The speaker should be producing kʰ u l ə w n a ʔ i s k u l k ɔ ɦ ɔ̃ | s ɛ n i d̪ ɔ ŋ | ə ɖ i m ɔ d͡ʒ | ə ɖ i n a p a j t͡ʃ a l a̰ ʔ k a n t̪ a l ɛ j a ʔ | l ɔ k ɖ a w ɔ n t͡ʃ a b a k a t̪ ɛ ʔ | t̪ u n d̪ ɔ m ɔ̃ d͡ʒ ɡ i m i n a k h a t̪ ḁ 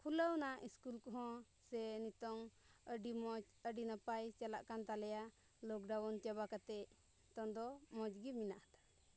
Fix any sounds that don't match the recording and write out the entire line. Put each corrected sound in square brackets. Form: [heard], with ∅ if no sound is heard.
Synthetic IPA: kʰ u l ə w n a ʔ i s k u l k ɔ ɦ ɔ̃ | s ɛ n i [t̪] ɔ ŋ | ə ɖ i m ɔ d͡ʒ | ə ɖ i n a p a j t͡ʃ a l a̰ ʔ k a n t̪ a l ɛ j a [∅] | l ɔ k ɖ a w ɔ n t͡ʃ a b a k a t̪ ɛ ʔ | t̪ [ɔ] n d̪ ɔ m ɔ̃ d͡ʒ ɡ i m i n a [ʔ] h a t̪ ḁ